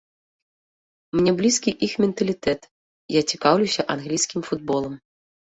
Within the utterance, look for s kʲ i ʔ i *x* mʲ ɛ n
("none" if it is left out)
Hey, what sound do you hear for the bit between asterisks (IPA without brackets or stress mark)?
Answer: x